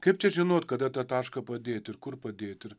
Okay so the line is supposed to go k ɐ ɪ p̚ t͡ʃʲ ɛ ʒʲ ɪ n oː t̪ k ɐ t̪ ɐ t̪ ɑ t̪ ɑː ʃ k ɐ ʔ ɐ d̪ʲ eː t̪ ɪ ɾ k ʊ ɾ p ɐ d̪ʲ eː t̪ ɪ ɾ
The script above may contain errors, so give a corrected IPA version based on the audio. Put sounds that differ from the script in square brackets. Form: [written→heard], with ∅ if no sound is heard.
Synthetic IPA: k ɐ ɪ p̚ t͡ʃʲ ɛ ʒʲ ɪ n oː t̪ k ɐ [t̪→d̪] ɐ t̪ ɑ t̪ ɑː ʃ k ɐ [ʔ→p] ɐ d̪ʲ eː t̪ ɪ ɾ k ʊ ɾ p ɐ d̪ʲ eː t̪ ɪ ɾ